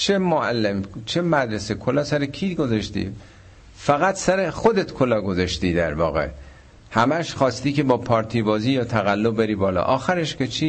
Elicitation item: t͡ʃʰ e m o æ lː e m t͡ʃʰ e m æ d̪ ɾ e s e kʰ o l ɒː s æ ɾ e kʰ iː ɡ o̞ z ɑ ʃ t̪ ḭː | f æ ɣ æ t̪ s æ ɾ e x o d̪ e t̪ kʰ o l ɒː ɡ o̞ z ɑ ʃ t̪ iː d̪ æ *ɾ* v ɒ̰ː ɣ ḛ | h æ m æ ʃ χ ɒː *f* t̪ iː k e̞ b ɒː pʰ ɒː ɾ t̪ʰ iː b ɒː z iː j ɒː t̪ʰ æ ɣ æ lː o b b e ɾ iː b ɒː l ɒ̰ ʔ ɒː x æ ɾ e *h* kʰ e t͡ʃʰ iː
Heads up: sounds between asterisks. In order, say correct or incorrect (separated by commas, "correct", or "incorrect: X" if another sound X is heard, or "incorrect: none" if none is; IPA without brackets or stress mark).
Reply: correct, incorrect: s, incorrect: ʃ